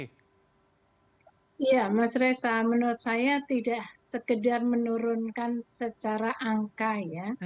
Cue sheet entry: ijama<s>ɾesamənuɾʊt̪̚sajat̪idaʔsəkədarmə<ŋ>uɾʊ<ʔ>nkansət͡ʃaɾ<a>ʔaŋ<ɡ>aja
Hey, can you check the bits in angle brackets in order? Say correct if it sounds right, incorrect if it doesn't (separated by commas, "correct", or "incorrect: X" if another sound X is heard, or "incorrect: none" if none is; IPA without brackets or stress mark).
correct, incorrect: n, incorrect: none, correct, incorrect: k